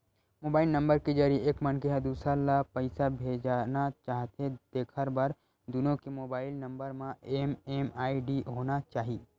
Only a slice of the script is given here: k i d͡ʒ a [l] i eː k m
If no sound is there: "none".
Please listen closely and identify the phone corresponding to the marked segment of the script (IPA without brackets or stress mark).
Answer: ɾ